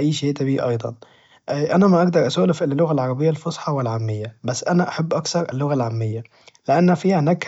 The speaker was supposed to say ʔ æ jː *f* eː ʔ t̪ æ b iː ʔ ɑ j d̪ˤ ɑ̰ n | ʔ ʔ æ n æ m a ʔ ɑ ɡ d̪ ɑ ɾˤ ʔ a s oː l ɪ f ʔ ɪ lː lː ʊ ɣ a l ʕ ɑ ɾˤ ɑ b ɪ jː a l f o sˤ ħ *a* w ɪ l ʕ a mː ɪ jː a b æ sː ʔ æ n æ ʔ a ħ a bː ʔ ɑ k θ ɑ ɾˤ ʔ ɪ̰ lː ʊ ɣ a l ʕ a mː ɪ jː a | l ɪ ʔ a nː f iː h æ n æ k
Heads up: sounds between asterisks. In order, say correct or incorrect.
incorrect: ʃ, incorrect: ɑ

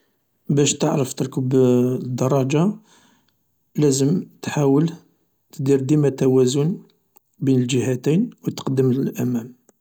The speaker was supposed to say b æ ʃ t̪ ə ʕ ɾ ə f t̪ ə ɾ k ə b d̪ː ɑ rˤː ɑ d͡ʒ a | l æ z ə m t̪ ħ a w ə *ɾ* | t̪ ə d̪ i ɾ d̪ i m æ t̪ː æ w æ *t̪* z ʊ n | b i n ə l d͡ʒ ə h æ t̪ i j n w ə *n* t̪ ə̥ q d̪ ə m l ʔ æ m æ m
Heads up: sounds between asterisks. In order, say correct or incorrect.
incorrect: l, incorrect: none, incorrect: none

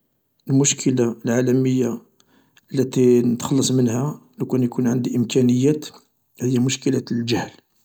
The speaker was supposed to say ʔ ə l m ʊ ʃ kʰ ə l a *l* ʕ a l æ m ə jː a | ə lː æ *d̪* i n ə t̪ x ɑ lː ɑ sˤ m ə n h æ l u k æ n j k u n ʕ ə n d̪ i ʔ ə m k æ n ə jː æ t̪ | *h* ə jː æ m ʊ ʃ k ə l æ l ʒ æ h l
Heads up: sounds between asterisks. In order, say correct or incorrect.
correct, incorrect: t̪, correct

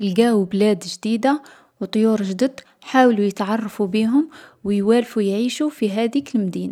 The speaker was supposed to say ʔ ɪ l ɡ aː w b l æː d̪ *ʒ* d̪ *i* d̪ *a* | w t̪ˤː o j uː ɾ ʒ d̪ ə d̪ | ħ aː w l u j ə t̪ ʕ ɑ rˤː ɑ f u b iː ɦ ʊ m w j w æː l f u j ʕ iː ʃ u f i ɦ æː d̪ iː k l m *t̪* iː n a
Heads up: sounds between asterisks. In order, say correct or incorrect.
correct, incorrect: iː, correct, incorrect: d̪

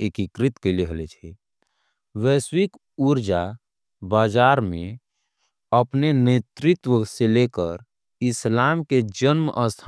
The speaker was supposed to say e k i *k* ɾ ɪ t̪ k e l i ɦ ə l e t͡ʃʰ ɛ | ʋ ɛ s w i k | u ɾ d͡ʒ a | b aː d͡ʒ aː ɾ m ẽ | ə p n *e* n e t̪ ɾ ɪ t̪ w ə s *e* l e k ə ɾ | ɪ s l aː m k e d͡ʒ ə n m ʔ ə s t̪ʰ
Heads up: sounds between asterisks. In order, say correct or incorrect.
correct, correct, correct

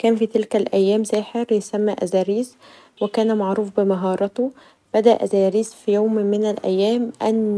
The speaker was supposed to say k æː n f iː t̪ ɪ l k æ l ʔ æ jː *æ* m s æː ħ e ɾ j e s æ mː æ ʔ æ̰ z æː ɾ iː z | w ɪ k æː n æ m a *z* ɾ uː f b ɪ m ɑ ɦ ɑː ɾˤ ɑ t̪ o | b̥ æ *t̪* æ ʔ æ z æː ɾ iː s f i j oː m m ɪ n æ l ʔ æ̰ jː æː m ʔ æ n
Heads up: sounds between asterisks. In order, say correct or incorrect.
incorrect: æː, incorrect: ʕ, incorrect: d̪

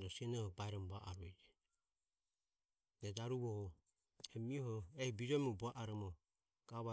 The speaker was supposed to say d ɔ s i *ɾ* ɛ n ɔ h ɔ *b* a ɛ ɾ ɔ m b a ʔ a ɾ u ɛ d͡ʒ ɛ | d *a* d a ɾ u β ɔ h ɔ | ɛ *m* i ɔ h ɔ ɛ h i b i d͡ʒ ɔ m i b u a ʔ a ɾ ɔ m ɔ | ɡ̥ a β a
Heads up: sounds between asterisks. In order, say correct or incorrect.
incorrect: none, correct, incorrect: ɛ, correct

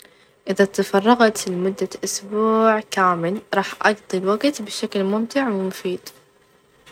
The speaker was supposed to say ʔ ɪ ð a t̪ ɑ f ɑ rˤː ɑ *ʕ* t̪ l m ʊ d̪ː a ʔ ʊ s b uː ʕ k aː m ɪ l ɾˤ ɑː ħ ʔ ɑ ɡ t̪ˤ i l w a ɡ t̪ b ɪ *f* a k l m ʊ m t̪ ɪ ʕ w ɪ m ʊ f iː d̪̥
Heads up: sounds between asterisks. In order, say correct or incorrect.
incorrect: ɣ, incorrect: ʃ

